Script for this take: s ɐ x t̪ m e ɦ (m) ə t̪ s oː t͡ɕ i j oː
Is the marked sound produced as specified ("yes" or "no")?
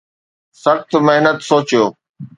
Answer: no